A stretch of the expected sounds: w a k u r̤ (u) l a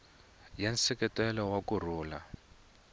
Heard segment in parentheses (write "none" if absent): uː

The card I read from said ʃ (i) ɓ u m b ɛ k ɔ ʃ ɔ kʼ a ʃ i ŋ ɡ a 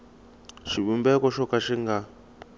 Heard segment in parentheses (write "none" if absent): i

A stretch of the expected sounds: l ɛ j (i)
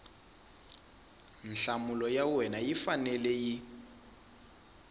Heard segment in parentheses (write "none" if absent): i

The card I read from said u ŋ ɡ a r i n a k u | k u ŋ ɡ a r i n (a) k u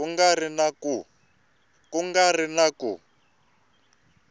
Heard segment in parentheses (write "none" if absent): a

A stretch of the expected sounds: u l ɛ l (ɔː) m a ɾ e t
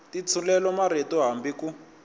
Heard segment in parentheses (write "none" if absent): ɔ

